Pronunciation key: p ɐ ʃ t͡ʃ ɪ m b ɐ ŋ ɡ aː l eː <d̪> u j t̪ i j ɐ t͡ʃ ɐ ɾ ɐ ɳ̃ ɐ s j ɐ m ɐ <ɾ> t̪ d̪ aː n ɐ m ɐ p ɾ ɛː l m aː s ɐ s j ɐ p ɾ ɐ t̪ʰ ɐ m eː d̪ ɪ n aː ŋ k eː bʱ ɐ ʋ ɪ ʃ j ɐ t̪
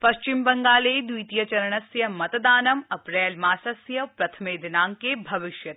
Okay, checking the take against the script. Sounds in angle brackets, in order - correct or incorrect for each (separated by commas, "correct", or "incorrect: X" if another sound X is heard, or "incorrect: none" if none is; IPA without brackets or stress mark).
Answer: correct, incorrect: none